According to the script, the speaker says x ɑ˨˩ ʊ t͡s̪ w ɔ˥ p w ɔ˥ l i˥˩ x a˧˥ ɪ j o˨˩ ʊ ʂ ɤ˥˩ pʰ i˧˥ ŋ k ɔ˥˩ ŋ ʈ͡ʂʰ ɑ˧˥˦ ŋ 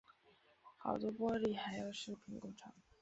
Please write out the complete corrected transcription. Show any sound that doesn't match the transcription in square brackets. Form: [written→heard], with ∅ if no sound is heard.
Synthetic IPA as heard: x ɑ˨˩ ʊ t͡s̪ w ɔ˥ p w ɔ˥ l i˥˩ x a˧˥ ɪ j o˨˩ ʊ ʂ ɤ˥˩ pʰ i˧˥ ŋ k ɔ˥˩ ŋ ʈ͡ʂʰ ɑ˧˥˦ ŋ